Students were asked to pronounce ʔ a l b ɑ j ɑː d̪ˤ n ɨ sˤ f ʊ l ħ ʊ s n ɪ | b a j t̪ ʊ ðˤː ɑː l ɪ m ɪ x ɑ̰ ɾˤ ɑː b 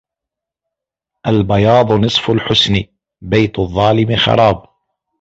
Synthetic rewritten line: ʔ a l b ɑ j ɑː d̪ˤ n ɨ sˤ f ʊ l ħ ʊ s n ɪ | b a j t̪ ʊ ðˤː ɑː l ɪ m ɪ x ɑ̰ ɾˤ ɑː b